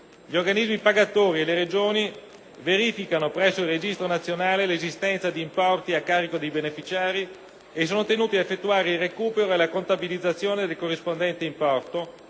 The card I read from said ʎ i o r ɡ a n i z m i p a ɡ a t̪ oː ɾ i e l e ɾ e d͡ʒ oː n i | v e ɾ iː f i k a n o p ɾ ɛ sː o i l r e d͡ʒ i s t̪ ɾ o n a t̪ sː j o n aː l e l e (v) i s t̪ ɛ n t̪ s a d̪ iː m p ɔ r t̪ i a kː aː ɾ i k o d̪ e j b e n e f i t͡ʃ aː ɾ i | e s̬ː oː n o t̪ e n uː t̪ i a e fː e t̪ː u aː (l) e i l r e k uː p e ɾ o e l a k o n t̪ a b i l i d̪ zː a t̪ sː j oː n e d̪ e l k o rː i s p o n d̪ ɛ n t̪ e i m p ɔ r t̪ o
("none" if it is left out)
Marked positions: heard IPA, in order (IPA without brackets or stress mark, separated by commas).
z, ɾ